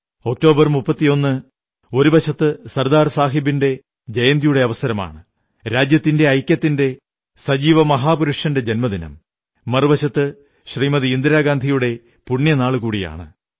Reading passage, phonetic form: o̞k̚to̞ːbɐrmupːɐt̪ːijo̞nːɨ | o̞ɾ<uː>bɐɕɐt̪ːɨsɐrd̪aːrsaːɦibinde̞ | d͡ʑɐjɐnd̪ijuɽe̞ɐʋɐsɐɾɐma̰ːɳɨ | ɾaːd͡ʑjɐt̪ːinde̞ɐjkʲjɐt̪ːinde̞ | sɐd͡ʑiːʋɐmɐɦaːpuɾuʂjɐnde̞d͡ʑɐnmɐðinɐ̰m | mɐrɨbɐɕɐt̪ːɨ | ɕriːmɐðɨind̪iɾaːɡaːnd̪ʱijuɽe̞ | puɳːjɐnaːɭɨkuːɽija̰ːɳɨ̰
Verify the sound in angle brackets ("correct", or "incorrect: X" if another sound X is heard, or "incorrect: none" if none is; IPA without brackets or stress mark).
incorrect: u